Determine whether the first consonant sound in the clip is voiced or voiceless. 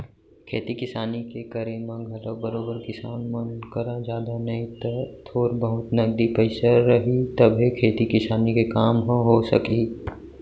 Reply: voiceless